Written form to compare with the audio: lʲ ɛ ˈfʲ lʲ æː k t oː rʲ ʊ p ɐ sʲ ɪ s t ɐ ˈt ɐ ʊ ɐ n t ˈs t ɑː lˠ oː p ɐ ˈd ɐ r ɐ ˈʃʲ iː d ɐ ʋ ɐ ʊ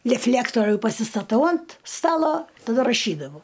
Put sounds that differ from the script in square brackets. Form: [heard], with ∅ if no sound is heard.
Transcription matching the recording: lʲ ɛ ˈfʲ lʲ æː k t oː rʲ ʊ p ɐ sʲ ɪ s t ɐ ˈt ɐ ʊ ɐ n t ˈs t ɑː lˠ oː [t] ɐ ˈd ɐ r ɐ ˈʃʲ iː d ɐ ʋ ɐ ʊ